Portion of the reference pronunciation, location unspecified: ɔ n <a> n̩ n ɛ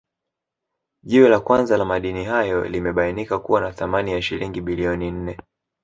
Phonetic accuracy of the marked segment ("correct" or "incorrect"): incorrect